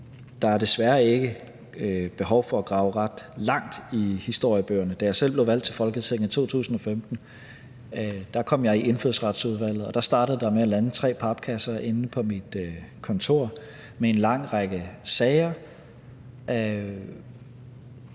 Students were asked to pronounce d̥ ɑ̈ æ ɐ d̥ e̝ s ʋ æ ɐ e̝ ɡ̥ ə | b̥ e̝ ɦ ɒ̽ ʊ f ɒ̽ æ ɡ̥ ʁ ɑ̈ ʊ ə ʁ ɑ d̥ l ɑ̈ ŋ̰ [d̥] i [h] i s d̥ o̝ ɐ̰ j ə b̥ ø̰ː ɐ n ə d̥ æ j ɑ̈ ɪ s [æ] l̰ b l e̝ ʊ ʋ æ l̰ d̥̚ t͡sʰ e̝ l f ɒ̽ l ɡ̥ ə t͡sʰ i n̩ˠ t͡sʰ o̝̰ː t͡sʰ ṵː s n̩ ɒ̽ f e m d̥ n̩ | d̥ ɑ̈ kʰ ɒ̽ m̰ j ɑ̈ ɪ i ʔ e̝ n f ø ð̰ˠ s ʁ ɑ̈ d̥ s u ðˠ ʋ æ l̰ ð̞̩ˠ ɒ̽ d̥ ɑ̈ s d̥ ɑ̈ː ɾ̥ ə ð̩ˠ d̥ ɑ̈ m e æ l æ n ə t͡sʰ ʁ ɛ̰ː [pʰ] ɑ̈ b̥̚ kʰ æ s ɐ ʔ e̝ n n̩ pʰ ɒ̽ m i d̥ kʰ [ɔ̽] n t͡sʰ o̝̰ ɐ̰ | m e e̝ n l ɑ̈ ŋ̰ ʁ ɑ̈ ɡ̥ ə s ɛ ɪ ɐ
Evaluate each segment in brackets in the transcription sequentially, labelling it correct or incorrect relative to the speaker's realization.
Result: correct, correct, incorrect, correct, incorrect

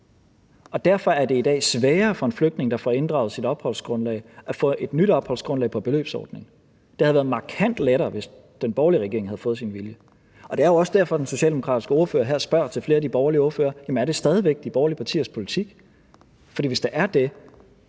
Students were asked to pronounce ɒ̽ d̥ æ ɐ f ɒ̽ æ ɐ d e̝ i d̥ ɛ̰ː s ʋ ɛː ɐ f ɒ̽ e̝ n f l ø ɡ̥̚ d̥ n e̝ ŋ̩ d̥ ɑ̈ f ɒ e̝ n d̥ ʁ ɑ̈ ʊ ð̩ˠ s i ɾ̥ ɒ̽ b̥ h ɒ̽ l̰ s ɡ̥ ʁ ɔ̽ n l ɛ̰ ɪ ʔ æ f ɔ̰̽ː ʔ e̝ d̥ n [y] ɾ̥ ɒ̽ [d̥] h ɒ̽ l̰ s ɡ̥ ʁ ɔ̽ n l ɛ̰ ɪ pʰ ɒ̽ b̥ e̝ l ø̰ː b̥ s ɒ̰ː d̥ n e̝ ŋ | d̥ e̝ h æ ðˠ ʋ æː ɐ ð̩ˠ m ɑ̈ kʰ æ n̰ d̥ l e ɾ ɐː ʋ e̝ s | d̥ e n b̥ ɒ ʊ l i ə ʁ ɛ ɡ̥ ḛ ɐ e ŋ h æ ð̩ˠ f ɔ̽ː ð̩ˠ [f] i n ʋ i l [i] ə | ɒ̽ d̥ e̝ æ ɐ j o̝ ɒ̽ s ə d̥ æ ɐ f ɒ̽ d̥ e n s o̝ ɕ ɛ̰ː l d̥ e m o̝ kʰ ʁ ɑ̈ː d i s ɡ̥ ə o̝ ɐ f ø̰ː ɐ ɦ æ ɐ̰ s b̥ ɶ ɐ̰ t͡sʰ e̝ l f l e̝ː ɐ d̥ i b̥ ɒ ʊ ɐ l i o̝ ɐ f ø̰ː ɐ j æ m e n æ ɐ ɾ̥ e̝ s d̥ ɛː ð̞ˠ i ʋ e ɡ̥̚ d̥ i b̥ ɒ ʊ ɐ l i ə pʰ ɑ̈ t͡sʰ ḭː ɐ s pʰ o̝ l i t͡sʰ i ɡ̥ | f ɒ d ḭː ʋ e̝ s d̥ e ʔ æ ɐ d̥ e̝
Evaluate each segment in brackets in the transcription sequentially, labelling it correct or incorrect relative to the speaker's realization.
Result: correct, incorrect, incorrect, incorrect

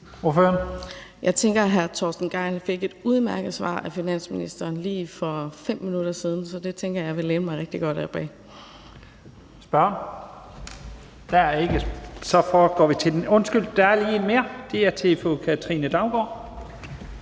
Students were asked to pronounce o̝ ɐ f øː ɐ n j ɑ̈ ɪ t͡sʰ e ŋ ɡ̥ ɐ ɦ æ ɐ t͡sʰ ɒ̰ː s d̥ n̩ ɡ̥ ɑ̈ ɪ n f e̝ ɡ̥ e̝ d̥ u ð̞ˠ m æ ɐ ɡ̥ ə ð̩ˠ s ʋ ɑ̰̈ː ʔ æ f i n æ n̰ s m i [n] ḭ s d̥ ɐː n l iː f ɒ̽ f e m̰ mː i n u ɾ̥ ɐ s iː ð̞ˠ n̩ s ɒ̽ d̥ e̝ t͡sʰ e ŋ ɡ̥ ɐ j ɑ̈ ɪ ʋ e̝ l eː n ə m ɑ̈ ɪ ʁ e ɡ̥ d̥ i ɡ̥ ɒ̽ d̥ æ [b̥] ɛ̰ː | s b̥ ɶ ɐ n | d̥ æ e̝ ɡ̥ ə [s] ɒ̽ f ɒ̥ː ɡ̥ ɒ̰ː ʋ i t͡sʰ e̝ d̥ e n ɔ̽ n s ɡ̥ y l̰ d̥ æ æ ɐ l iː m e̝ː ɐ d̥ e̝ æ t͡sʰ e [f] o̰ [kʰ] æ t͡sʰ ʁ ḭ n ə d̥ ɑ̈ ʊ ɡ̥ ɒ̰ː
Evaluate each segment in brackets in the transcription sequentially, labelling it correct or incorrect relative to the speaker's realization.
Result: correct, correct, correct, correct, correct

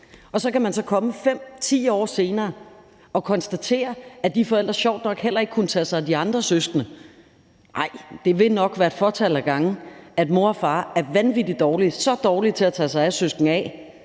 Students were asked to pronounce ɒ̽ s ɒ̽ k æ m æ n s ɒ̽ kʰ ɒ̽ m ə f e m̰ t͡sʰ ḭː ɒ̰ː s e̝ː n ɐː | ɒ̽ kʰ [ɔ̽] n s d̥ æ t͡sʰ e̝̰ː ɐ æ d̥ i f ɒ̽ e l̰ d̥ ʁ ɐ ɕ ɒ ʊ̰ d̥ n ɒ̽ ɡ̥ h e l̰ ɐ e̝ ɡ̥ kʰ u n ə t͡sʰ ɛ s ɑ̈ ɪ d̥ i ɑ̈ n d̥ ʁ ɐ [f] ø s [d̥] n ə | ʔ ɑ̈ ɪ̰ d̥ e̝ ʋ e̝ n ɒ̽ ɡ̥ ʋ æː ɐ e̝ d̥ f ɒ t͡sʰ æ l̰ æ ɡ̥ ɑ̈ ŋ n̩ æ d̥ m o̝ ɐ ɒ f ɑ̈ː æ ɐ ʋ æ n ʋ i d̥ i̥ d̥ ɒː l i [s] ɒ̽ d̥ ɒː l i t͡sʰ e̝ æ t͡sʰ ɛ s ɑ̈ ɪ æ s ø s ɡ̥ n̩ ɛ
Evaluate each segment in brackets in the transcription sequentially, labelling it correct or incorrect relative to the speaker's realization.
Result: incorrect, incorrect, incorrect, correct

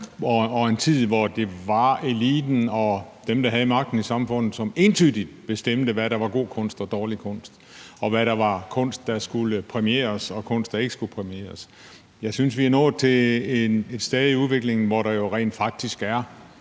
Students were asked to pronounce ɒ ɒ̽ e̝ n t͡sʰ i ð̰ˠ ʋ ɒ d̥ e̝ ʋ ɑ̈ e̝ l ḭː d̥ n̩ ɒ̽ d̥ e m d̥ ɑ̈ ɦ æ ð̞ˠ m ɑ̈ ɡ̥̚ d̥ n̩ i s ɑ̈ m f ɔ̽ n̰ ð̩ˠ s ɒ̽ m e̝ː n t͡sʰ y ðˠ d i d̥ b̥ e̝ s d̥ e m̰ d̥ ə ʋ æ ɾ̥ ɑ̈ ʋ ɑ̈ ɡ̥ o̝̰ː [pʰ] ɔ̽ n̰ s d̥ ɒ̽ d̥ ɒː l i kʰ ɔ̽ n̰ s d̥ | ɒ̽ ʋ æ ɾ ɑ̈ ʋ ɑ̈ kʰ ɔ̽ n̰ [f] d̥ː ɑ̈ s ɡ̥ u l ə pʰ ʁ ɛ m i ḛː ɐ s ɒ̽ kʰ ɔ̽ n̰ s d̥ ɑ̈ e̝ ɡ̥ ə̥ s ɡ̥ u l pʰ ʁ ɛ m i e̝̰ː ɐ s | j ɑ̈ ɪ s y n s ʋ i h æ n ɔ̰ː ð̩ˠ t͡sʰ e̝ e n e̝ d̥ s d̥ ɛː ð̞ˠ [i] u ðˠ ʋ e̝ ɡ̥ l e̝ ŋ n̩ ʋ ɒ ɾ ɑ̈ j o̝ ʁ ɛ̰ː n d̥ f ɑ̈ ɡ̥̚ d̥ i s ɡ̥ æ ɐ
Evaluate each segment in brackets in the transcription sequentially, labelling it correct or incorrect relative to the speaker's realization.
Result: incorrect, incorrect, correct

